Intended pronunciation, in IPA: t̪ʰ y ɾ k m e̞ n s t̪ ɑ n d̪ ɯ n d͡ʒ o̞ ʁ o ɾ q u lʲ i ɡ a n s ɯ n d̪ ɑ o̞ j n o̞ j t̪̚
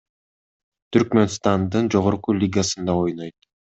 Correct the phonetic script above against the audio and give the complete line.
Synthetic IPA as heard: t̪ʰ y ɾ k m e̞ n s t̪ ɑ n d̪ ɯ n d͡ʒ o̞ ʁ o ɾ q u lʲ i ɡ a s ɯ n d̪ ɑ o̞ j n o̞ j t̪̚